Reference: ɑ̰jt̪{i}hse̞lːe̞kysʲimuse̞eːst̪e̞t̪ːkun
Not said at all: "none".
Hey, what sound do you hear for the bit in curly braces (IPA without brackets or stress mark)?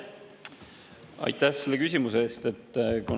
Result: æ